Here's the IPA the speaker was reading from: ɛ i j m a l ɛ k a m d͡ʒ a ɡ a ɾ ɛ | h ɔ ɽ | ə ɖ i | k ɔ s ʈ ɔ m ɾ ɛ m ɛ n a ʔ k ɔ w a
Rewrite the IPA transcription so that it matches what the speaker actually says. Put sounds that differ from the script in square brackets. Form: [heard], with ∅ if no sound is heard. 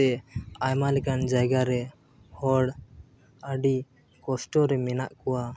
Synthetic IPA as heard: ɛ [a] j m a l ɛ k a [n] d͡ʒ a ɡ a ɾ ɛ | h ɔ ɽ | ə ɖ i | k ɔ s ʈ ɔ [∅] ɾ ɛ m ɛ n a ʔ k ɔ w a